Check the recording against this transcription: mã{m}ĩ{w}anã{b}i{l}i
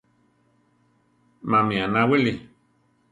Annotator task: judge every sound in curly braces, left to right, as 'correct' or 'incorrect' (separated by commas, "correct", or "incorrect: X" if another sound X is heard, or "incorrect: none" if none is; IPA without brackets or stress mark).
correct, incorrect: none, incorrect: w, correct